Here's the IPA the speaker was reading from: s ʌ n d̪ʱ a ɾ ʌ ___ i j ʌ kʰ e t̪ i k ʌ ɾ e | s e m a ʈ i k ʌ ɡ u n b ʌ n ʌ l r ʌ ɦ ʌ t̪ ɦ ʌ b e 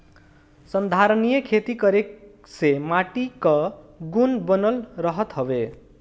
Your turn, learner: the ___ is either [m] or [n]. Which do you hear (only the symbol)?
n